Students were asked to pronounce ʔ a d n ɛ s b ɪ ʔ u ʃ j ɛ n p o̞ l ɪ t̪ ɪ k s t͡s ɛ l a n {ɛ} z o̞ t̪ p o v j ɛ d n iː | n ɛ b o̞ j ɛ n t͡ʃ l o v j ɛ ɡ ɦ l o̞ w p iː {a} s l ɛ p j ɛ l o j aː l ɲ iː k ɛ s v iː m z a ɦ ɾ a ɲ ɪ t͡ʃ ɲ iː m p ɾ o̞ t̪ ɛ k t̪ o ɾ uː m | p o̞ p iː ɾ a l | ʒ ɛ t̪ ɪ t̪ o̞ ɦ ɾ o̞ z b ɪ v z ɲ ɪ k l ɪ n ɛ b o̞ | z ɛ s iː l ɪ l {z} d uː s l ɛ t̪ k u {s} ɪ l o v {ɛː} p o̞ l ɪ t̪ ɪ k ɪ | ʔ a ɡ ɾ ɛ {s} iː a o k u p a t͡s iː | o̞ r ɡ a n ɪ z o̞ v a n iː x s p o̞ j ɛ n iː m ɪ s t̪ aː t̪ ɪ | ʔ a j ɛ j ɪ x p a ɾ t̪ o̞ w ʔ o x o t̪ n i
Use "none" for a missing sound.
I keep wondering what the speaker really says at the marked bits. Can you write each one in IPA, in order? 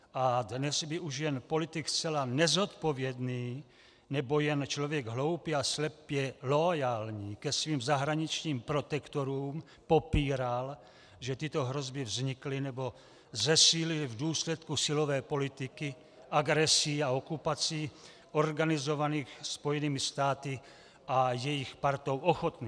ɛ, a, v, s, ɛː, s

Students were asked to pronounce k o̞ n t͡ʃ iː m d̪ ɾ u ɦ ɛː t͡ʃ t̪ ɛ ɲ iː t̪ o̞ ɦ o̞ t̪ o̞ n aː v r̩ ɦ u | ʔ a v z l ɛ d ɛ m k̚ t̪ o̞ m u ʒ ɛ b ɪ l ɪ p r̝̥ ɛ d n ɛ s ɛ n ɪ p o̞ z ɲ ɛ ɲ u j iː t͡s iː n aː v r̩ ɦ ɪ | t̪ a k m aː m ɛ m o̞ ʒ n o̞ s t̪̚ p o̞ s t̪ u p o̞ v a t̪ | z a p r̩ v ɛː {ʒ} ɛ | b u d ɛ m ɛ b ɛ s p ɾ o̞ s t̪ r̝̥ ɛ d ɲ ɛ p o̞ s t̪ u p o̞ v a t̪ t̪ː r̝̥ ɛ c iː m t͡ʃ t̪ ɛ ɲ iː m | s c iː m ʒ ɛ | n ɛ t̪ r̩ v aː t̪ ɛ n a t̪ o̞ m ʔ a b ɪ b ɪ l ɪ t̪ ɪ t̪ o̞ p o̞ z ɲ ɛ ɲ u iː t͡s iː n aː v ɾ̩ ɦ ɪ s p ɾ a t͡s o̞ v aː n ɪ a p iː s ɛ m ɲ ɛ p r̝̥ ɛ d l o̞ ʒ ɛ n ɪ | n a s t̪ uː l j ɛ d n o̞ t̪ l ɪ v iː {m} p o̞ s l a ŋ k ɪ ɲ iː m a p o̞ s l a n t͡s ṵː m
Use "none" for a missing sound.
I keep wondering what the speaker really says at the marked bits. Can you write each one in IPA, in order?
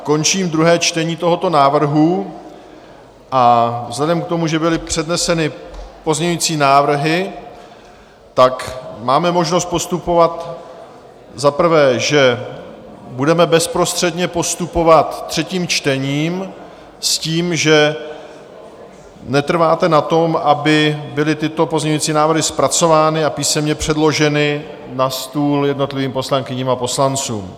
ʒ, m

